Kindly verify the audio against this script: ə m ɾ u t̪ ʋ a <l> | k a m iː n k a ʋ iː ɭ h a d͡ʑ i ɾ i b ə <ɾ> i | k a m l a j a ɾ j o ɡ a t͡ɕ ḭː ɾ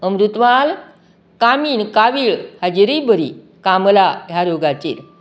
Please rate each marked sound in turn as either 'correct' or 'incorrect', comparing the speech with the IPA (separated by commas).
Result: correct, correct